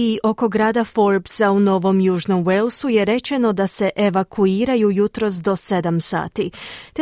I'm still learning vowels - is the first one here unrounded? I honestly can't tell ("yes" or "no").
yes